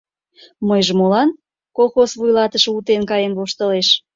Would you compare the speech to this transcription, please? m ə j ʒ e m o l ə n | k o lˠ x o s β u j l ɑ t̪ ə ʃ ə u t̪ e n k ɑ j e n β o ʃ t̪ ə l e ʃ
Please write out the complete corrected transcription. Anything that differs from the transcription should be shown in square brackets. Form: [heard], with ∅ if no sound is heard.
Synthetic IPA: m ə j ʒ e m o l [ɑ] n | k o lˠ x o s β u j l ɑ t̪ ə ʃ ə u t̪ e n k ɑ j e n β o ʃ t̪ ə l e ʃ